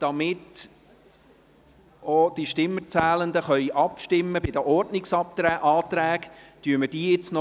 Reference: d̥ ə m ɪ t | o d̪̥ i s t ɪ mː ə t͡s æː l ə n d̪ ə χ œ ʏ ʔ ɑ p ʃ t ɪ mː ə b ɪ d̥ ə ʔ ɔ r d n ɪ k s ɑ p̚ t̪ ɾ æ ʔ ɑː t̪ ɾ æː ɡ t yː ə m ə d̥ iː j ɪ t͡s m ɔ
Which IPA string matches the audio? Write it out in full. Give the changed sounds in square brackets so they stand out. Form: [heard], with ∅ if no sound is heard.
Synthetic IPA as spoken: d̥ [ɑ] m ɪ t | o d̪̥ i [ʃ] t ɪ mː ə t͡s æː l ə n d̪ ə χ œ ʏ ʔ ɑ p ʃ t ɪ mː ə b ɪ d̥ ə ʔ ɔ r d n ɪ k s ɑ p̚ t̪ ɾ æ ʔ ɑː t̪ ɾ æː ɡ t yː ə m ə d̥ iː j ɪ t͡s [n] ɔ